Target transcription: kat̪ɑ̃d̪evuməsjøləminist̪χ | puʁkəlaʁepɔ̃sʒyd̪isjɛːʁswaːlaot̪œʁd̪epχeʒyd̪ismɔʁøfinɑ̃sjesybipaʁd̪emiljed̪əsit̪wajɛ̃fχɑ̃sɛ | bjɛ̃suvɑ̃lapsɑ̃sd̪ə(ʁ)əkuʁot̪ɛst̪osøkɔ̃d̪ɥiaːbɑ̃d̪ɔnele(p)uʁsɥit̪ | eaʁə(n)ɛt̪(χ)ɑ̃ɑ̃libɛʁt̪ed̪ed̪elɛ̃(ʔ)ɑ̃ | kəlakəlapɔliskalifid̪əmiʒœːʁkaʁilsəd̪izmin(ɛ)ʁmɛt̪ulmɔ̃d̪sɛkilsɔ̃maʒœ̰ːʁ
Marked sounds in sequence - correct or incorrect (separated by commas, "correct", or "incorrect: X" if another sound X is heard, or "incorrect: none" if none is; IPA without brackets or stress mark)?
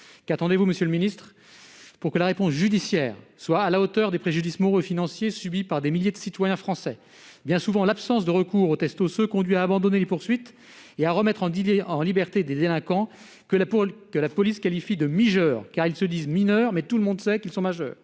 correct, correct, incorrect: m, correct, incorrect: k, incorrect: œ